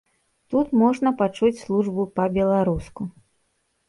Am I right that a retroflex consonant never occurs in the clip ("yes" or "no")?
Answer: no